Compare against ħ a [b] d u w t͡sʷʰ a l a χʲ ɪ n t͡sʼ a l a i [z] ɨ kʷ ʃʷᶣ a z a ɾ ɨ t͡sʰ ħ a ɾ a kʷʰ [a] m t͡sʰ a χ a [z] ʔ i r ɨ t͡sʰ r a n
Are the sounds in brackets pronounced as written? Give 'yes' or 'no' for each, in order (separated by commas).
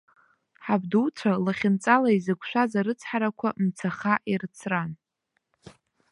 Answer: yes, yes, yes, no